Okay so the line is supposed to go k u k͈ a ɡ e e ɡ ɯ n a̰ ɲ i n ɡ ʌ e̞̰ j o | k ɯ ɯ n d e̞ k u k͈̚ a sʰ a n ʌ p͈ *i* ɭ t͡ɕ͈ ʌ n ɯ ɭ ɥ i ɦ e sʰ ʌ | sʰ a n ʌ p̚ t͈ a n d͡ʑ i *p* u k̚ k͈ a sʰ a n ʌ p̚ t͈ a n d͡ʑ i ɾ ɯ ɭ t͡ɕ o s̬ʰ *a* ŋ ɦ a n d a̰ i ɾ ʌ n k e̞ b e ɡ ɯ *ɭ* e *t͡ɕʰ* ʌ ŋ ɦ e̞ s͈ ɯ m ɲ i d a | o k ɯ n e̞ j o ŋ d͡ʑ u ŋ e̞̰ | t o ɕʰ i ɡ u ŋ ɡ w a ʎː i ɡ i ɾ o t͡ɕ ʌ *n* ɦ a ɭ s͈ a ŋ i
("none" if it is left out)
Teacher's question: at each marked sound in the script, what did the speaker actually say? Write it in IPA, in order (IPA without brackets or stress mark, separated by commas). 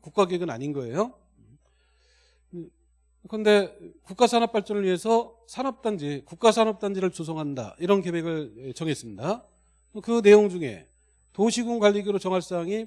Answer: a, k, ʌ, ɭ, t͡ɕ, ŋ